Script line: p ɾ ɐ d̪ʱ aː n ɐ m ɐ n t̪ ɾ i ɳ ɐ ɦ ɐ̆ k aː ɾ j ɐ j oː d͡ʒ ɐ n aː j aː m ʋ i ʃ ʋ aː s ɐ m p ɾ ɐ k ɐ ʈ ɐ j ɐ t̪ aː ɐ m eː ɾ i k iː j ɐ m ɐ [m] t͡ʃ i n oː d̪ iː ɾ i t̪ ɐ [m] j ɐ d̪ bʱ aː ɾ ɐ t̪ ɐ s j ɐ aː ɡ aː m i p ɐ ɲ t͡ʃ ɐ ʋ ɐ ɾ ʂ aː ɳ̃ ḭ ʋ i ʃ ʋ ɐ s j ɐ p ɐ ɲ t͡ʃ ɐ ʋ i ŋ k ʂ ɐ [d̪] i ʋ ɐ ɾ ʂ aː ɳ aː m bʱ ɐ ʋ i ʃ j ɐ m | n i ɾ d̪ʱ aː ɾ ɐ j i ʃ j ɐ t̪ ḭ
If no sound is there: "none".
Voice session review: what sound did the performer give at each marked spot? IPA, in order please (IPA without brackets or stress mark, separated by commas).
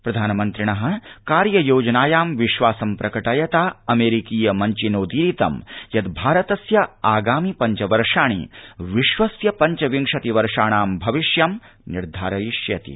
ɲ, m, t̪